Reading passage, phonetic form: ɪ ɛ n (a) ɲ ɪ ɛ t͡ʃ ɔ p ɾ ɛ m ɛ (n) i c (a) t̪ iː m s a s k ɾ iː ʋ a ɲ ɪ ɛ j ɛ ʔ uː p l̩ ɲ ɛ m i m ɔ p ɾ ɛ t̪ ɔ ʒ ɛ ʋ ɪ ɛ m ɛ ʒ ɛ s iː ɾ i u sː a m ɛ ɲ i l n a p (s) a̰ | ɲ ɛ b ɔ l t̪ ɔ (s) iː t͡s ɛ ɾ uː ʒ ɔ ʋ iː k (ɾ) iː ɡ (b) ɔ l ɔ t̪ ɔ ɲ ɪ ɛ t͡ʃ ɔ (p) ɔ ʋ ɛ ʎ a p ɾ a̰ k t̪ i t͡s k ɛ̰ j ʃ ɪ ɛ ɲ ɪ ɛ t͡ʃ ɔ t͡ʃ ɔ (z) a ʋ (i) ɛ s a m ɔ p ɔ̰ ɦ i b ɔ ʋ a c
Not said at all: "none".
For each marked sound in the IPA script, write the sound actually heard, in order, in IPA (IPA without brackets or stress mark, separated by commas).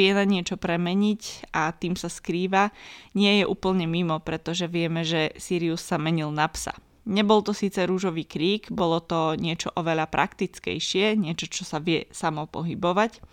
a, ɲ, a, s, s, ɾ, b, ʔ, s, ɪ